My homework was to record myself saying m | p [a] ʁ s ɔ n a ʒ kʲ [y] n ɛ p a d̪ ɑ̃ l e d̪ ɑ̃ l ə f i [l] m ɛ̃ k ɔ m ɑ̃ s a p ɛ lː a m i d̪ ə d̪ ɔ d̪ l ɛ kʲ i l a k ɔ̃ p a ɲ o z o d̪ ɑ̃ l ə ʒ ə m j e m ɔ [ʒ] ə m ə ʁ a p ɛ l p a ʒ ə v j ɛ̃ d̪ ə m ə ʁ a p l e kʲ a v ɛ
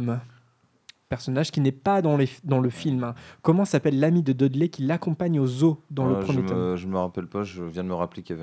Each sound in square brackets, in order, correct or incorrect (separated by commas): incorrect, incorrect, correct, correct